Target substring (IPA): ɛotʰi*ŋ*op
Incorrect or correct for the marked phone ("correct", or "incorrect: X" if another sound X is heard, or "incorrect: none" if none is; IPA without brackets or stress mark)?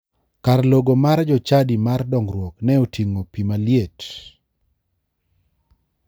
correct